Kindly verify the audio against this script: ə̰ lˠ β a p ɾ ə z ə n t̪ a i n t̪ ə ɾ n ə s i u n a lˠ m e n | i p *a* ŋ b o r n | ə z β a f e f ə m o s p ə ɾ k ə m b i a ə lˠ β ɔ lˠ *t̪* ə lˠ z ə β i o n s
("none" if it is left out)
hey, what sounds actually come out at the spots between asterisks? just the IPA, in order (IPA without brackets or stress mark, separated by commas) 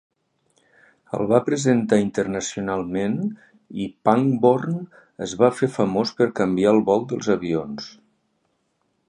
a, d̪